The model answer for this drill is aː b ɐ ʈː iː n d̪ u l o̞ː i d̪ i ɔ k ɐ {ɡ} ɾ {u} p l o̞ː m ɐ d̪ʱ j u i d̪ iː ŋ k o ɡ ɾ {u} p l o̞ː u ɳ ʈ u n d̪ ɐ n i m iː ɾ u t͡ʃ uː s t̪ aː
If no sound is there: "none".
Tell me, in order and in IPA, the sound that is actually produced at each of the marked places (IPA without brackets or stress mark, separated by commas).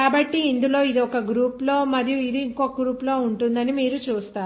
ɡ, uː, uː